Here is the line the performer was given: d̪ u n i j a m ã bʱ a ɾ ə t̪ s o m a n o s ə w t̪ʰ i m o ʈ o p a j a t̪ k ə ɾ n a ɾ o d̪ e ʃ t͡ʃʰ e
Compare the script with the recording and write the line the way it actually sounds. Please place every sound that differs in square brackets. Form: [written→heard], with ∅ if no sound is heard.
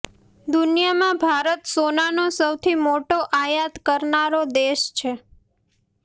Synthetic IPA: d̪ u n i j a m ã bʱ a ɾ ə t̪ s o [m→n] a n o s ə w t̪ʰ i m o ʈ o [p→ʔ] a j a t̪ k ə ɾ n a ɾ o d̪ e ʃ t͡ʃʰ e